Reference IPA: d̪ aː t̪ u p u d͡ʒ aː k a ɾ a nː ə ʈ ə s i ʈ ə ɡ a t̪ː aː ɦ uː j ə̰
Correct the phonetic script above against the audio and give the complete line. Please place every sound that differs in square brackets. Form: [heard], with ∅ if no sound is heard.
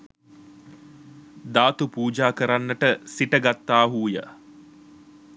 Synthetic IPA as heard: d̪ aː t̪ u p [uː] d͡ʒ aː k [ə] ɾ a nː ə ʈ ə s i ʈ ə ɡ a t̪ː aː ɦ uː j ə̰